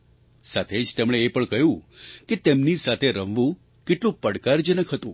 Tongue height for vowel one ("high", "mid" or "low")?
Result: low